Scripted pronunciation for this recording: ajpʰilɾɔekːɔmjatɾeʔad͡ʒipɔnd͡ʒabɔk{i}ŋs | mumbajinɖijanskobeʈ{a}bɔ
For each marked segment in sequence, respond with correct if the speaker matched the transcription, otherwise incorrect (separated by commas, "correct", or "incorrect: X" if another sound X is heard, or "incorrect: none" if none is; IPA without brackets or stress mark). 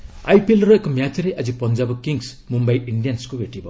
correct, incorrect: i